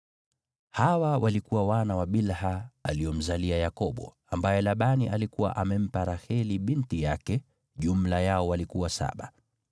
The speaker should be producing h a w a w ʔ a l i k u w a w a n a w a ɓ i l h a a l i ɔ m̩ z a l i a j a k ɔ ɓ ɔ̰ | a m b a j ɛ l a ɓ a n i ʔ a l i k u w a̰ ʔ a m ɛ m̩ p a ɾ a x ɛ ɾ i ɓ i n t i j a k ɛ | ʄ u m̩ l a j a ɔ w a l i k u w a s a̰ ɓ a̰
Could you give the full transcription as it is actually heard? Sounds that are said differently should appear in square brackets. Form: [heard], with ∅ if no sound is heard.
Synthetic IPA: h a w a w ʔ a l i k u w a w a n a w a ɓ i l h a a l i ɔ m̩ z a l i a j a k ɔ ɓ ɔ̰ | a m b a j ɛ l a ɓ a n i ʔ a l i k u w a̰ ʔ a m ɛ m̩ p a ɾ a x ɛ [l] i ɓ i n t i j a k ɛ | ʄ u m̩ l a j a ɔ w a l i k u w a s a̰ ɓ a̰